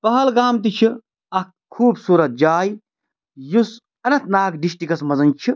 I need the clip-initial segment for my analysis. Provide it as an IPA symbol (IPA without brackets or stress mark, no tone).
p